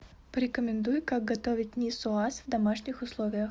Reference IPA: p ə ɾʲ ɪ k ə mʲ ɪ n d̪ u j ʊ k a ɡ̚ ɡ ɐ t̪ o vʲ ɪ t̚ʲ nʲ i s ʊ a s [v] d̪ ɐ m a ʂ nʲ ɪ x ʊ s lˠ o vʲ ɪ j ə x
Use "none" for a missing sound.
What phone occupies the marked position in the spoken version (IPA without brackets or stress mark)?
v